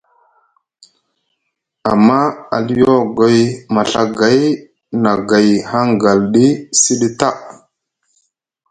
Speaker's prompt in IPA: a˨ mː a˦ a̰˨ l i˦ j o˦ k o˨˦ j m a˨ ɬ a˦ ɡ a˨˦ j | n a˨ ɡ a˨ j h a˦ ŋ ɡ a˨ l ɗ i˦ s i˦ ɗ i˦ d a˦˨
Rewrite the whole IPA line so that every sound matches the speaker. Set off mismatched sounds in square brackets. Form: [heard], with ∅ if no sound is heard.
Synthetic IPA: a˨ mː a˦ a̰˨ l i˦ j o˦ [ɡ] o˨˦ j m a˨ ɬ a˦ ɡ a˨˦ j | n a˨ ɡ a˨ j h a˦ ŋ ɡ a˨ l ɗ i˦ s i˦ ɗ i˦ [t] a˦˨